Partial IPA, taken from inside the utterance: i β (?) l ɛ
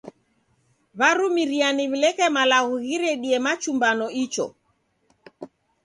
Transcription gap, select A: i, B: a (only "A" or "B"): A